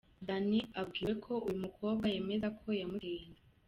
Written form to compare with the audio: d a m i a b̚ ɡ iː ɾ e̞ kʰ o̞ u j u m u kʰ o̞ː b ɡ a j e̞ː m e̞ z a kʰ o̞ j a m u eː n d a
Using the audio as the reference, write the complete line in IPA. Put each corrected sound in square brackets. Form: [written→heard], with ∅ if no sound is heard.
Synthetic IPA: d a [m→n] i a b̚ ɡ iː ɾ e̞ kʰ o̞ u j u m u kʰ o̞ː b ɡ a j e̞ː m e̞ z a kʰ o̞ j a m u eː n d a